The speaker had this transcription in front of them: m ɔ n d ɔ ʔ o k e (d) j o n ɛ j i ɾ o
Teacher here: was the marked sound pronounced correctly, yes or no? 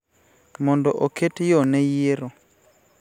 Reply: no